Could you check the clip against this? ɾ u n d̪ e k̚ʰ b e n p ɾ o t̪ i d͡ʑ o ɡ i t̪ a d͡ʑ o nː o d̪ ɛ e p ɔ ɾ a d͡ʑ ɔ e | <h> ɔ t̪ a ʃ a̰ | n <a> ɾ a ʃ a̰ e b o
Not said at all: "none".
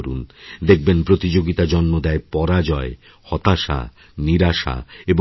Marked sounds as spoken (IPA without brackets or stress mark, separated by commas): h, i